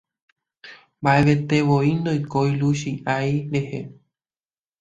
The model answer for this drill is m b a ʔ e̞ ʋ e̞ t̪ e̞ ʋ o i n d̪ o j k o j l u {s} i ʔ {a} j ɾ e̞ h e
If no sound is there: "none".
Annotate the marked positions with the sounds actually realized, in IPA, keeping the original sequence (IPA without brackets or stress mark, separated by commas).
ʃ, a